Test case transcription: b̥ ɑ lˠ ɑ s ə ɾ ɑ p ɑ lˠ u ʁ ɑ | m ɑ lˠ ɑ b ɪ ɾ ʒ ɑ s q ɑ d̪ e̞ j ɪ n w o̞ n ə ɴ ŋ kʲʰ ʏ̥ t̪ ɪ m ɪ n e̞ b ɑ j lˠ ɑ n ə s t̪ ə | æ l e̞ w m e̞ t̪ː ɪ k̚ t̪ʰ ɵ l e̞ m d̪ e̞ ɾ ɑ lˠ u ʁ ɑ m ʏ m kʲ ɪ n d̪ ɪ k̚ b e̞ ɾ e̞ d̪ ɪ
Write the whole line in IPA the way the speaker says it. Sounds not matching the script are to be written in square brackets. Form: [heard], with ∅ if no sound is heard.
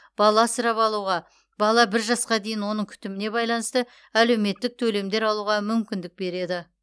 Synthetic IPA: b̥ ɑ lˠ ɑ s ə ɾ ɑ p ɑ lˠ u ʁ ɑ | [b] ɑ lˠ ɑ b ɪ ɾ ʒ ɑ s q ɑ d̪ e̞ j ɪ n w o̞ n ə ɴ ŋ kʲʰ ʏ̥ t̪ ɪ m ɪ n e̞ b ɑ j lˠ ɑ n ə s t̪ ə | æ l e̞ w m e̞ t̪ː ɪ k̚ t̪ʰ ɵ l e̞ m d̪ e̞ ɾ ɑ lˠ u ʁ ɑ m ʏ m kʲ ɪ n d̪ ɪ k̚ b e̞ ɾ e̞ d̪ ɪ

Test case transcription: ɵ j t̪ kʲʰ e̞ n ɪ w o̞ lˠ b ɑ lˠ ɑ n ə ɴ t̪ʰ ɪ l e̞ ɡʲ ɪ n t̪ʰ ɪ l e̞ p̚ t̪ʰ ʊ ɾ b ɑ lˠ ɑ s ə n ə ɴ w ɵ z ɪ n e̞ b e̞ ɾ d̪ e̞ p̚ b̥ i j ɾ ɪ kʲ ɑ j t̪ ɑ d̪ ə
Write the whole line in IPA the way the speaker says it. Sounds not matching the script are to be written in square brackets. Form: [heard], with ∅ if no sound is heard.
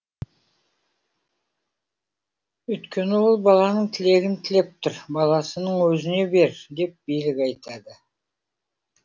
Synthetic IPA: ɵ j t̪ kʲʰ e̞ n ɪ w o̞ lˠ b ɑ lˠ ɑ n ə ɴ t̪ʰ ɪ l e̞ ɡʲ ɪ n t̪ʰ ɪ l e̞ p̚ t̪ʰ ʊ ɾ b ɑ lˠ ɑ s ə n ə ɴ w ɵ z ɪ n e̞ b e̞ ɾ d̪ e̞ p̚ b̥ i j [l] ɪ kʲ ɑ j t̪ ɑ d̪ ə

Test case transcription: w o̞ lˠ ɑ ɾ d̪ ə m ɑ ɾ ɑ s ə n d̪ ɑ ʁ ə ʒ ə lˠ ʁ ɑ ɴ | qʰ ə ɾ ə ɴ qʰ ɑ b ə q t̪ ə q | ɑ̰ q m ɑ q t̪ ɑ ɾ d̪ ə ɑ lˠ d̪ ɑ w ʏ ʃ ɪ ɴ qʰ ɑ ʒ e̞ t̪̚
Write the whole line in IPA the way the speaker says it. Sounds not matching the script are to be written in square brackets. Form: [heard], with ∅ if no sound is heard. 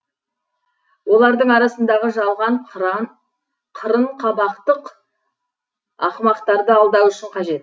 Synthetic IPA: w o̞ lˠ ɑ ɾ d̪ ə [ɴ] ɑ ɾ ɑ s ə n d̪ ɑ ʁ ə ʒ [ɑ] lˠ ʁ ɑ ɴ | qʰ ə ɾ ə ɴ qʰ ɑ b [ɑ] q t̪ ə q | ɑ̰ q m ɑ q t̪ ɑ ɾ d̪ ə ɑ lˠ d̪ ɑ w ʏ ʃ ɪ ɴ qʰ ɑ ʒ e̞ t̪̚

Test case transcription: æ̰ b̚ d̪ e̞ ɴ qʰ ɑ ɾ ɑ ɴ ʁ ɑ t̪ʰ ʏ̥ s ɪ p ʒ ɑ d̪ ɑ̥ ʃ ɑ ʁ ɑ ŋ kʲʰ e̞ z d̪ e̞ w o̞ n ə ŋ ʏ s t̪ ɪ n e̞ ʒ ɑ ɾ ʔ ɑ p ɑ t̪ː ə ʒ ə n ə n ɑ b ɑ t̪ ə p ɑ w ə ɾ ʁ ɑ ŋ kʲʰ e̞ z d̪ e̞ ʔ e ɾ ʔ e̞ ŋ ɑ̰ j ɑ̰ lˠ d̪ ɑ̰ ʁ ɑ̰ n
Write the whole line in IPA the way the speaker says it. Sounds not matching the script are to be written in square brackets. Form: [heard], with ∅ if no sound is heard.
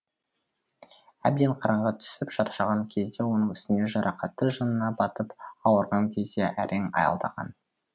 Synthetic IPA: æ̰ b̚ d̪ e̞ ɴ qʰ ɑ ɾ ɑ ɴ ʁ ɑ t̪ʰ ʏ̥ s ɪ p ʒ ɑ [t̪] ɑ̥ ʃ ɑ ʁ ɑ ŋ kʲʰ e̞ z d̪ e̞ w o̞ n ə ŋ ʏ s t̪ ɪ n e̞ ʒ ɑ ɾ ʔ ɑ [q] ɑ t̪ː ə ʒ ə n ə n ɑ b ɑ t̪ ə p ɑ w ə ɾ ʁ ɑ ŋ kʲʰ e̞ z d̪ e̞ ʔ [æ] ɾ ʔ e̞ ŋ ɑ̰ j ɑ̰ lˠ d̪ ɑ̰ ʁ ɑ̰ n

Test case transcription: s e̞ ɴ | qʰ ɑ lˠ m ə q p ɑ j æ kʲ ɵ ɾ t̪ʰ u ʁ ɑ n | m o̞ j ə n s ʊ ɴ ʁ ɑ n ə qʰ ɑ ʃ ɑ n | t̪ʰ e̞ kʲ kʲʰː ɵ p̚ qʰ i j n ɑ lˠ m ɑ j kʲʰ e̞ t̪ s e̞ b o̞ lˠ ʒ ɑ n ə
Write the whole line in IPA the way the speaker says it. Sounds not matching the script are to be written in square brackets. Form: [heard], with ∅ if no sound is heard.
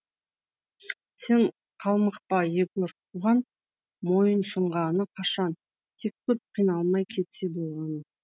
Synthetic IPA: s e̞ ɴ | qʰ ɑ lˠ m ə q p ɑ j [e] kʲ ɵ ɾ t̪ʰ u ʁ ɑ n | m o̞ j ə n s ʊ ɴ ʁ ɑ n ə qʰ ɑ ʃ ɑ n | t̪ʰ e̞ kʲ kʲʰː ɵ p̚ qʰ i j n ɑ lˠ m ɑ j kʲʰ e̞ t̪ s e̞ b o̞ lˠ [ʁ] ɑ n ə

